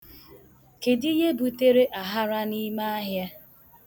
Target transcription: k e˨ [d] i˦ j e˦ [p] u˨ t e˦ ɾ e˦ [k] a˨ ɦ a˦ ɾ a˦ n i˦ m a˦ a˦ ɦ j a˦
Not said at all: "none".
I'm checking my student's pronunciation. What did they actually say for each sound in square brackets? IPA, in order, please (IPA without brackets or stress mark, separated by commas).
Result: d, b, ʔ